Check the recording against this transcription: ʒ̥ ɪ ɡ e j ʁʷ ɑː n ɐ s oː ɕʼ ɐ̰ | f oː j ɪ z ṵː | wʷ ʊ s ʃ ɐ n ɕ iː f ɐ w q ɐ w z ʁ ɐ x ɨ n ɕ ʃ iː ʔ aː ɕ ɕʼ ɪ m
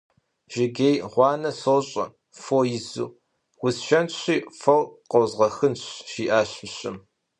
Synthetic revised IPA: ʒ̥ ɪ ɡ e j ʁʷ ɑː n ɐ s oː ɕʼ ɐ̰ | f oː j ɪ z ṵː | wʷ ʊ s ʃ ɐ n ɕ iː f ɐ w q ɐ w z ʁ ɐ x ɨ n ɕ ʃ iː ʔ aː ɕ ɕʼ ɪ m